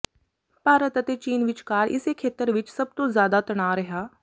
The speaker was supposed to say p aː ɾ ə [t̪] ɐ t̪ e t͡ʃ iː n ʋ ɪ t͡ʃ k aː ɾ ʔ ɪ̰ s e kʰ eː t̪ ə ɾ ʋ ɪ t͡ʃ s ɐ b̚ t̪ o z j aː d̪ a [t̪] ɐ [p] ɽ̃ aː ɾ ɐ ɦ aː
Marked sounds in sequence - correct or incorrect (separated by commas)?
correct, correct, incorrect